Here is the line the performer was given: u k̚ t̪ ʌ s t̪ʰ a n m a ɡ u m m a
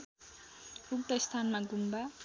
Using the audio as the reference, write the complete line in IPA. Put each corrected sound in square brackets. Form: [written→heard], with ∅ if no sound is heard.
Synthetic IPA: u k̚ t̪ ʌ s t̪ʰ a n m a ɡ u m [m→b] a